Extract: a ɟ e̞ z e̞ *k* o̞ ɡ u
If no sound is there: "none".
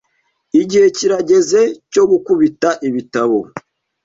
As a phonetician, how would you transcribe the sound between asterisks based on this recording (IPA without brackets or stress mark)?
c